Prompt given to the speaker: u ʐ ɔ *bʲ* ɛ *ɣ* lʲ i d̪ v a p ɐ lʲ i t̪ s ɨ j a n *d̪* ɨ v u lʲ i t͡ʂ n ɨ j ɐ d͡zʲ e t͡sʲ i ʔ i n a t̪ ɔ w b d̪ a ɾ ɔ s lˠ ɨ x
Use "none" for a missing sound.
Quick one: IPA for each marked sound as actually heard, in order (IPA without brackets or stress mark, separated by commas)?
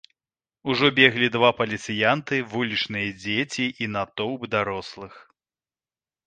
bʲ, ɣ, t̪